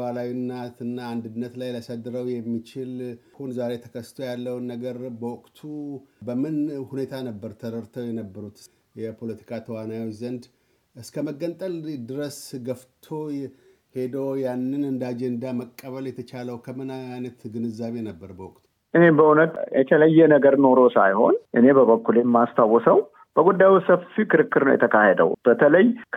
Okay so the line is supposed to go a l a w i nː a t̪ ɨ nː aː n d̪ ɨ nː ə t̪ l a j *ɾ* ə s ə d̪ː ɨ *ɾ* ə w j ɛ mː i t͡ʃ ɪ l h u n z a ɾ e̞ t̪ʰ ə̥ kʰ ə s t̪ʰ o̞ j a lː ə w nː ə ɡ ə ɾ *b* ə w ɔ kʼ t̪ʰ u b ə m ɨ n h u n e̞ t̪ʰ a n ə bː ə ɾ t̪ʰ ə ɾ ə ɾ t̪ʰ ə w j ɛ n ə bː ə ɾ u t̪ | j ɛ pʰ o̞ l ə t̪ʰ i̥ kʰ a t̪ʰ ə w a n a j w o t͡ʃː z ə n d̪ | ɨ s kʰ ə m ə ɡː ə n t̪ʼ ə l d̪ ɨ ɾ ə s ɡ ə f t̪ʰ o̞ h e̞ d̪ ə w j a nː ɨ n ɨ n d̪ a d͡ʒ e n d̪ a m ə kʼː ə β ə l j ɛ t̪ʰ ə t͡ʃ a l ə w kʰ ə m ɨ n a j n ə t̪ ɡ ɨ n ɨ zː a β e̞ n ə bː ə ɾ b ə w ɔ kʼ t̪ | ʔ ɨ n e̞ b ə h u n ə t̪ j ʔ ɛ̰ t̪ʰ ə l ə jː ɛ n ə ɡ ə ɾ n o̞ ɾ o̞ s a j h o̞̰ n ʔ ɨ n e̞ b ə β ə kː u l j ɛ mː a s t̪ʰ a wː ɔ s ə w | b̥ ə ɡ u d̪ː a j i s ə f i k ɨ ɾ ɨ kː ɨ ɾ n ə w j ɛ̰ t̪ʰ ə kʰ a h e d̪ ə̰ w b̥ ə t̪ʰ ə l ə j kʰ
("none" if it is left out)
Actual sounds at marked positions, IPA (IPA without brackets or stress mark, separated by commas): l, ɾ, b